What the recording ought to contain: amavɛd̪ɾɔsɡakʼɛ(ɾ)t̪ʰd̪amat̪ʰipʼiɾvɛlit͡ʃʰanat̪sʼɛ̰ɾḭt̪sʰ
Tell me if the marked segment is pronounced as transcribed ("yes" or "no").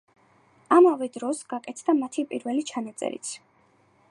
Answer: no